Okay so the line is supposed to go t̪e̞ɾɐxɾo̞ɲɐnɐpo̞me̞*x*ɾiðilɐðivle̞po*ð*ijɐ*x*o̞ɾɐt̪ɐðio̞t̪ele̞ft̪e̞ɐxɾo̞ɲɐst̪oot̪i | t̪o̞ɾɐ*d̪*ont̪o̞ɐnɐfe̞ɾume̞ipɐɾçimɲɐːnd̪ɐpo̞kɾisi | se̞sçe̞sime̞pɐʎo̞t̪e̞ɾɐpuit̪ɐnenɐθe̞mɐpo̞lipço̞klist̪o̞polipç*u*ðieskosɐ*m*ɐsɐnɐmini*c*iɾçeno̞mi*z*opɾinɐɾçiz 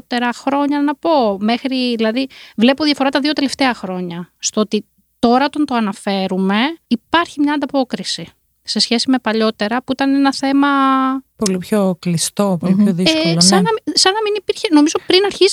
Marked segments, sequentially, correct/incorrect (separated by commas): correct, correct, incorrect, incorrect, incorrect, incorrect, incorrect, correct